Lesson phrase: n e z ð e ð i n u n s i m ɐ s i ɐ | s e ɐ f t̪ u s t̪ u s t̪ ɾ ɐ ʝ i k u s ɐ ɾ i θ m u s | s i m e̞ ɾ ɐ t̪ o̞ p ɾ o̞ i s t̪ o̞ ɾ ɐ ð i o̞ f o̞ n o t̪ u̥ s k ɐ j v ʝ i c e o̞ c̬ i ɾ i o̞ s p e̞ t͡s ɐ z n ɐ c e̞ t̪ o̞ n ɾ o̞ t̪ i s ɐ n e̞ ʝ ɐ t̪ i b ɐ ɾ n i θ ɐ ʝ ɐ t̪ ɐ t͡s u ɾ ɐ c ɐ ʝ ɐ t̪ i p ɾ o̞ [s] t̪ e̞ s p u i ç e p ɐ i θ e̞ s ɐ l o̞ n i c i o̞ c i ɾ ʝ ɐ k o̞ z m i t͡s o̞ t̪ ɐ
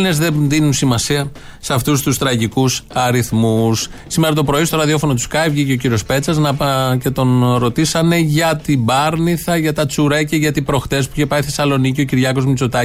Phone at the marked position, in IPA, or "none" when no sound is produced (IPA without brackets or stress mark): x